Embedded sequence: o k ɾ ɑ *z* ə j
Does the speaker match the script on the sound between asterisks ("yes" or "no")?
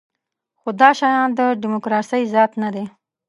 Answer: no